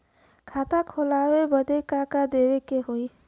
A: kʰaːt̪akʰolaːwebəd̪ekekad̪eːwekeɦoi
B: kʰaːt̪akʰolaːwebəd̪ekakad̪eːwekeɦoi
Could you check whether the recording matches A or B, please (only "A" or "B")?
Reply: B